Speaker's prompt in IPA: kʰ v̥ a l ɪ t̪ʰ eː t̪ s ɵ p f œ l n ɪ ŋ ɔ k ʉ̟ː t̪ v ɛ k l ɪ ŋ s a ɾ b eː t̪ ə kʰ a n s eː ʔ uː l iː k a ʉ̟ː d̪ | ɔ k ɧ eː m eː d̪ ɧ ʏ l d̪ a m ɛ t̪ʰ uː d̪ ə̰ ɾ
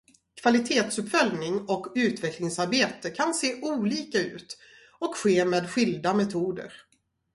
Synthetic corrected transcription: kʰ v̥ a l ɪ t̪ʰ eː t̪ s ɵ p f œ l n ɪ ŋ ɔ k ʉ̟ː t̪ v ɛ k l ɪ ŋ s a ɾ b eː t̪ ə kʰ a n s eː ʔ uː l iː k a ʉ̟ː t̪ | ɔ k ɧ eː m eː d̪ ɧ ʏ l d̪ a m ɛ t̪ʰ uː d̪ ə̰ ɾ